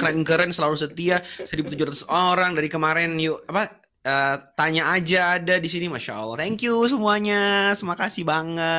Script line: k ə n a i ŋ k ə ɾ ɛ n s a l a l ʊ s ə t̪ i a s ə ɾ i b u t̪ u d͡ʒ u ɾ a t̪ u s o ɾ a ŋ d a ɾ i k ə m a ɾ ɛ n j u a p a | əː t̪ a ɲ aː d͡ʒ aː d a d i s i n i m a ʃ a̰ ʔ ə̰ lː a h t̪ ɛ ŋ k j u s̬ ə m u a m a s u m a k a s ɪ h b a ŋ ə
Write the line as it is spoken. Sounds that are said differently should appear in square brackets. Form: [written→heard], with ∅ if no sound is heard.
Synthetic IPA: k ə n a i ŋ k ə ɾ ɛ n s [a→ə] l a l [ʊ→u] s ə t̪ i a s ə ɾ i b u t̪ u d͡ʒ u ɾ a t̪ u s o ɾ a ŋ d a ɾ i k ə m a ɾ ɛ n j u a p a | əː t̪ a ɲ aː d͡ʒ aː d a d i s i n i m a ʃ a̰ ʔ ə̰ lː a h t̪ ɛ ŋ k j u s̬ ə m u a [m→ɲ] a s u m a k a s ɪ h b a ŋ ə